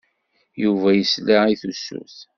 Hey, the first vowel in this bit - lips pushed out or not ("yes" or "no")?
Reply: yes